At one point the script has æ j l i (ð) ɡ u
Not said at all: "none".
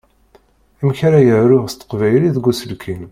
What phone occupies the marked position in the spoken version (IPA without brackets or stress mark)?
ð